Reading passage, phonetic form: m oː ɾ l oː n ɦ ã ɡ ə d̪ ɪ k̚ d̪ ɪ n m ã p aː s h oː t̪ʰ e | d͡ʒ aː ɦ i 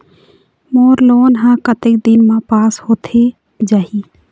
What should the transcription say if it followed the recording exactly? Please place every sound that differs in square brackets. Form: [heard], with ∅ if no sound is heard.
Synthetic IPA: m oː ɾ l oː n ɦ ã [k] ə [t̪] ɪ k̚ d̪ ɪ n m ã p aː s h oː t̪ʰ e | d͡ʒ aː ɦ i